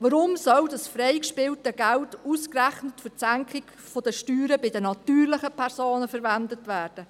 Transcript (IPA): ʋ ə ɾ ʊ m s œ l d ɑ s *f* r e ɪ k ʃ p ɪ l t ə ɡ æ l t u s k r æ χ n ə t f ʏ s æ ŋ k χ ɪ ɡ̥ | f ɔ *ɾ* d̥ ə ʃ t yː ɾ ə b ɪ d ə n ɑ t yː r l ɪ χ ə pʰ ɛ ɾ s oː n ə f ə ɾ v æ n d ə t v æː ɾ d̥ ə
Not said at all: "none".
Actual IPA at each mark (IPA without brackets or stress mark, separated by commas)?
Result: f, none